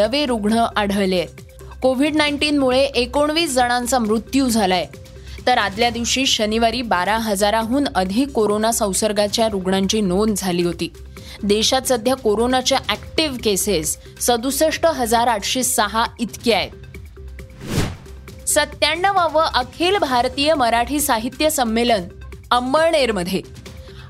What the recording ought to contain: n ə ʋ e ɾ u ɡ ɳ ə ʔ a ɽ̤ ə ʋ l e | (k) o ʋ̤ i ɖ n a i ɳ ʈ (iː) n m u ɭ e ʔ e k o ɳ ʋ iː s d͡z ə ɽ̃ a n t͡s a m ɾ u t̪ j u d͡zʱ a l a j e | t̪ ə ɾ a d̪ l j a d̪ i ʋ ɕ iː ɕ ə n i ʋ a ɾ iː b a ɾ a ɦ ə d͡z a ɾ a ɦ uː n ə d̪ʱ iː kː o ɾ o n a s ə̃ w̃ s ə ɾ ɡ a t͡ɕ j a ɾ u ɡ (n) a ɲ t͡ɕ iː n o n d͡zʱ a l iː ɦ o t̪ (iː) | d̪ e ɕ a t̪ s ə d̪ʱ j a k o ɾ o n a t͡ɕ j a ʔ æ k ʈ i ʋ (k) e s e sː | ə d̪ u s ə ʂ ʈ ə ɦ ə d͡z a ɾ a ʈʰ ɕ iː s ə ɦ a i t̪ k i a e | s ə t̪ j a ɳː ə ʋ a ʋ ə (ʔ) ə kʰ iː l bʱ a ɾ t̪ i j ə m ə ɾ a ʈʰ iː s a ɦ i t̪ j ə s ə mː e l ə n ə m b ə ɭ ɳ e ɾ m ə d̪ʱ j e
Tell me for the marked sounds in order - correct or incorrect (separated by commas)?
correct, correct, incorrect, correct, correct, correct